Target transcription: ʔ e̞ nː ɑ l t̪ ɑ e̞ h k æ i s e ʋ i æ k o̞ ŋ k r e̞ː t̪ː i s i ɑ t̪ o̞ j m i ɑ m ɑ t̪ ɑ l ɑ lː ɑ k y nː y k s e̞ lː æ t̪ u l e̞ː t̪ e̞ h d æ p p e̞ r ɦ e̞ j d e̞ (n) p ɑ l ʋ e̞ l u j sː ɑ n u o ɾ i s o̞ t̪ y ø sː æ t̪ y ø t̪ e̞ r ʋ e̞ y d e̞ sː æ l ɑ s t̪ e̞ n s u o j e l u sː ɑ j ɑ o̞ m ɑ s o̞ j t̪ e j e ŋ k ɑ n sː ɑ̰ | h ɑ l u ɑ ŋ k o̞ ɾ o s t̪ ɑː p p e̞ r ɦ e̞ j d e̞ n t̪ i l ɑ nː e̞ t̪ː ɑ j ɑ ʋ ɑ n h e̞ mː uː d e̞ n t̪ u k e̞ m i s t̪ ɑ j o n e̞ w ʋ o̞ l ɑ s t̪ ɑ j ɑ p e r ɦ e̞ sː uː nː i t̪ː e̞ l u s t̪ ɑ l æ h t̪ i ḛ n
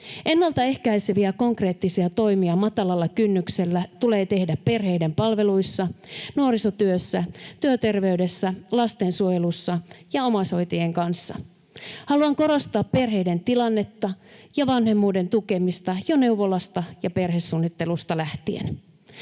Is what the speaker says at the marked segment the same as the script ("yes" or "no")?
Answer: no